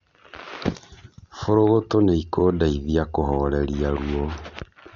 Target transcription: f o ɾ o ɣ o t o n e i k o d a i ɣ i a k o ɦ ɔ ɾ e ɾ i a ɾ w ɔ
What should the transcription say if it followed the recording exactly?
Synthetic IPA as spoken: f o ɾ o ɣ o t o n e i k o d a i ð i a k o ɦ ɔ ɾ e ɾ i a ɾ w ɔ